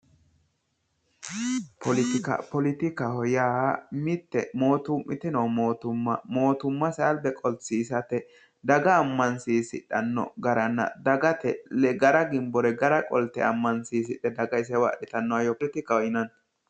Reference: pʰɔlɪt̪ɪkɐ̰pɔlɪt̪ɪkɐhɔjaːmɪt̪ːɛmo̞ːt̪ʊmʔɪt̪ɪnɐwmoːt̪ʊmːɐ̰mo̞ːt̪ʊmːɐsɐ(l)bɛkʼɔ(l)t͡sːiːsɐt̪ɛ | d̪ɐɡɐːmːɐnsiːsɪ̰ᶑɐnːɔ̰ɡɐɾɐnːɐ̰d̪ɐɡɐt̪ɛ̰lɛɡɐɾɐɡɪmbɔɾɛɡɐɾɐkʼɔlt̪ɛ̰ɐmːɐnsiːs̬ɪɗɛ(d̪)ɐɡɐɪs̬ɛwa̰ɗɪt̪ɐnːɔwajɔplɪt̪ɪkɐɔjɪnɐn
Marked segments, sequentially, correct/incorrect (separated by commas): correct, correct, correct